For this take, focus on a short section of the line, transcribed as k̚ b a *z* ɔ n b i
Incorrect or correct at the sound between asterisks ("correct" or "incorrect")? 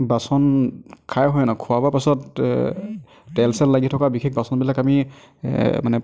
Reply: incorrect